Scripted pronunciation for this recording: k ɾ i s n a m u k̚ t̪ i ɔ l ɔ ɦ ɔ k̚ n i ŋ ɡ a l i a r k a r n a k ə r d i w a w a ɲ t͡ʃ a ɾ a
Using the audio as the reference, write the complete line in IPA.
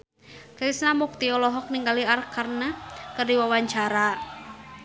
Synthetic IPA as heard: k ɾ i s n a m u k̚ t̪ i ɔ l ɔ ɦ ɔ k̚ n i ŋ ɡ a l i a r k a r n a k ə r d i w a w a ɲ t͡ʃ a ɾ a